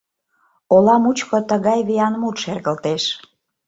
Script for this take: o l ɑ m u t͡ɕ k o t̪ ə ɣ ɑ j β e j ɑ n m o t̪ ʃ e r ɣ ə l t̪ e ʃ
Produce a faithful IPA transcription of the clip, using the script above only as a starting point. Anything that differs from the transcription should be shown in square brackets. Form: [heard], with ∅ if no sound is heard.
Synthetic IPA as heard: o l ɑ m u t͡ɕ k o t̪ ə ɣ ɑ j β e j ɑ n m [u] t̪ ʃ e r ɣ ə l t̪ e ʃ